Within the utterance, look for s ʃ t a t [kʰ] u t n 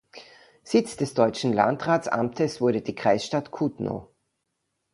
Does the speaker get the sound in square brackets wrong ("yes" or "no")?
no